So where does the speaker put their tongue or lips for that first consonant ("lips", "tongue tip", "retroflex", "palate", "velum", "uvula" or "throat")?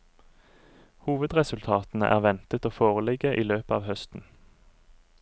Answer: throat